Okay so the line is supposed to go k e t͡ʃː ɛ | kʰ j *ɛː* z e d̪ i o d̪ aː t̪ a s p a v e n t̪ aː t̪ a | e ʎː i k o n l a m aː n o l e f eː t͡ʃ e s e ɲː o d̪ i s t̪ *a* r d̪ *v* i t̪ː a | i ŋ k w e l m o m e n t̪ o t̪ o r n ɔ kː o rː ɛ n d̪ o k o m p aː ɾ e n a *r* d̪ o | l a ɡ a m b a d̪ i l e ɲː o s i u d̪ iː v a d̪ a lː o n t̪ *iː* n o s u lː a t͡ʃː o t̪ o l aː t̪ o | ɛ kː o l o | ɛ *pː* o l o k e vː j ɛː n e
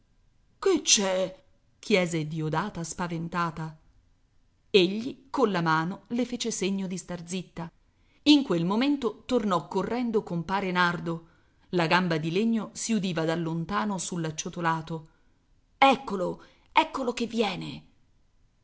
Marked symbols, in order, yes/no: yes, yes, no, yes, no, no

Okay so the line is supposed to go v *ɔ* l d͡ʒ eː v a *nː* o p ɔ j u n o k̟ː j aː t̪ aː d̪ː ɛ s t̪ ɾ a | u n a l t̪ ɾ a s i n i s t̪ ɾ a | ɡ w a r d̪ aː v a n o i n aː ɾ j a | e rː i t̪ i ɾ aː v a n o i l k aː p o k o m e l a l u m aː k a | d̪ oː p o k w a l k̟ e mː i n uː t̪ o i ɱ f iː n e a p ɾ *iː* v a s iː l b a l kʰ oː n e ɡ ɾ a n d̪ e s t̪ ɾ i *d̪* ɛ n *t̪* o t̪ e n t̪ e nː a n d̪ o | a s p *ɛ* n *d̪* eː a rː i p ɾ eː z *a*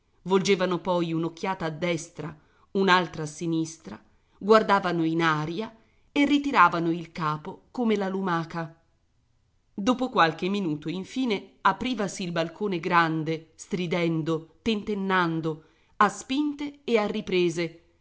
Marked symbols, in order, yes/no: no, no, yes, yes, no, no, no, no

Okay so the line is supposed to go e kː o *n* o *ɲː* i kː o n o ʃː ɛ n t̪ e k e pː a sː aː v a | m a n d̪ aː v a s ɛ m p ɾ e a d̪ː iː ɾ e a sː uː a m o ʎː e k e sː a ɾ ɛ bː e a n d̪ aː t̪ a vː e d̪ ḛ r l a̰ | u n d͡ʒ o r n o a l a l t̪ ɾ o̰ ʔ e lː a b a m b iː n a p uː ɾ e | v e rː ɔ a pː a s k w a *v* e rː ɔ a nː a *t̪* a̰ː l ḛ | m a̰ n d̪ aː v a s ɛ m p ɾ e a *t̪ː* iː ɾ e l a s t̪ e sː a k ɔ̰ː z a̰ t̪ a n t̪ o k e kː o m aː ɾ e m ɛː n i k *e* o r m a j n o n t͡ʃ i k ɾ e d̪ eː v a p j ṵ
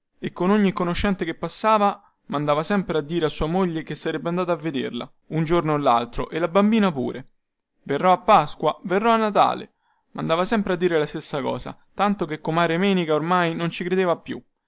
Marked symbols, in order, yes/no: yes, yes, yes, yes, no, no

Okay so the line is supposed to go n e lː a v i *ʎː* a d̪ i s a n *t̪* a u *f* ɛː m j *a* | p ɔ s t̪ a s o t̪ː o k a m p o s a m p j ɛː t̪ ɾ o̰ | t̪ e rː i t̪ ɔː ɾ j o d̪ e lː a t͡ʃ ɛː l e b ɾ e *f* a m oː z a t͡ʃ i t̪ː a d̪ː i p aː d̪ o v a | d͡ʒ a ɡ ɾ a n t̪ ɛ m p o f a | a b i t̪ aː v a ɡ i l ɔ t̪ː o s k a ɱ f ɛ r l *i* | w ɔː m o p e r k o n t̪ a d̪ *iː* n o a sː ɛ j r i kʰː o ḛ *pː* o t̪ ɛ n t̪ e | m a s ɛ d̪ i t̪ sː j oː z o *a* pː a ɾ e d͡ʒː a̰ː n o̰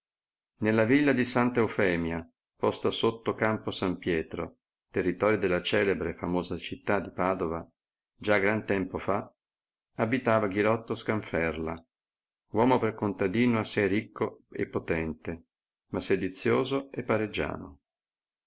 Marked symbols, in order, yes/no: no, yes, yes, yes, yes, no, yes, yes, no

